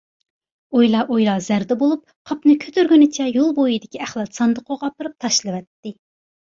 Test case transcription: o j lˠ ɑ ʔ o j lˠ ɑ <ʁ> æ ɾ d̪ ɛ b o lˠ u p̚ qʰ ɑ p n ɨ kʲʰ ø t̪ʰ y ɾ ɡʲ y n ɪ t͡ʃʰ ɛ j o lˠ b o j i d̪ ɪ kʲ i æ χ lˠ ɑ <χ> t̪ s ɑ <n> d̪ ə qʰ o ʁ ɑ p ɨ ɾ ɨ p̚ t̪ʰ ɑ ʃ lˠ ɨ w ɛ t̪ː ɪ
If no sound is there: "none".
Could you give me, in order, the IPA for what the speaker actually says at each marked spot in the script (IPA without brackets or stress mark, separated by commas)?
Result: z, none, n